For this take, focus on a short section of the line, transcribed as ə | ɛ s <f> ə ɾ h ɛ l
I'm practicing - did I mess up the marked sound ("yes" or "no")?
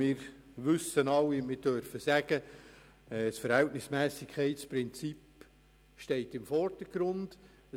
no